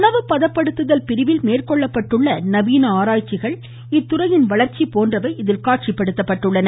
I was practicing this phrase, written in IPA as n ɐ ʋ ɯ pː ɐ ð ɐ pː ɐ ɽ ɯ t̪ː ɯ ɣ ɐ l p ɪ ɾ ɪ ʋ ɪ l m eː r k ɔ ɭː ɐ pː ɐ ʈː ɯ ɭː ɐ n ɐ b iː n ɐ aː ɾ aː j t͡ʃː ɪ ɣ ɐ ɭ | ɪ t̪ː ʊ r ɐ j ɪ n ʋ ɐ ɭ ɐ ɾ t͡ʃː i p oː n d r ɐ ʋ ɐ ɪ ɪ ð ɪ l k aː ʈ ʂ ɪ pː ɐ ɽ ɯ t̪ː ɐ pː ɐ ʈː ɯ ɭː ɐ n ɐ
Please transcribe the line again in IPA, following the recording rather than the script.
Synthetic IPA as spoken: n ɐ ʋ ɯ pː ɐ ð ɐ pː ɐ ɽ ɯ t̪ː ɯ ð ɐ l p ɪ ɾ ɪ ʋ ɪ l m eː r k ɔ ɭː ɐ pː ɐ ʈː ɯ ɭː ɐ n ɐ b iː n ɐ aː ɾ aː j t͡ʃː ɪ ɣ ɐ ɭ | ɪ t̪ː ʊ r ɐ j ɪ n ʋ ɐ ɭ ɐ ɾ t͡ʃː i p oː n d r ɐ ʋ ɐ ɪ ɪ ð ɪ l k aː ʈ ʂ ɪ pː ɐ ɽ ɯ t̪ː ɐ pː ɐ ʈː ɯ ɭː ɐ n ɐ